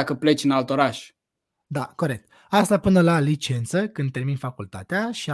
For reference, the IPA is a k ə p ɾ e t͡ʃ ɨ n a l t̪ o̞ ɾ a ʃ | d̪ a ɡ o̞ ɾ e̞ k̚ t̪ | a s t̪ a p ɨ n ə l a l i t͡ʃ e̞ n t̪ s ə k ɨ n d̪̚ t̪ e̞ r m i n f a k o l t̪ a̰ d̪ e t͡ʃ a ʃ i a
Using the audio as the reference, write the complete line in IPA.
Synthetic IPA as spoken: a k ə p l e t͡ʃ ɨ n a l t̪ o̞ ɾ a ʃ | d̪ a k o̞ ɾ e̞ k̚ t̪ | a s t̪ a p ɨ n ə l a l i t͡ʃ e̞ n t̪ s ə k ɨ n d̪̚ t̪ e̞ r m i n f a k u l t̪ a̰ t̪ e a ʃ i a